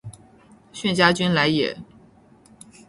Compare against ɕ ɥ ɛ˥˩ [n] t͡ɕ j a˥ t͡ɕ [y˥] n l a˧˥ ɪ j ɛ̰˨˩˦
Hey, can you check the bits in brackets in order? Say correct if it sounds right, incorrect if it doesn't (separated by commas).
correct, correct